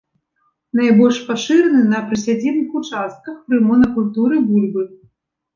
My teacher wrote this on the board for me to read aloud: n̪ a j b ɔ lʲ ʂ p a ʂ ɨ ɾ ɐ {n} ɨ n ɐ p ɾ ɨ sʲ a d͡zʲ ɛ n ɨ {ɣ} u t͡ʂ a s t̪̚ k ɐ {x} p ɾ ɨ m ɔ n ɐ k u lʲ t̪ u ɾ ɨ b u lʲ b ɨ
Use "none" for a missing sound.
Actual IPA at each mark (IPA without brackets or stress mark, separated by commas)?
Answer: n, x, x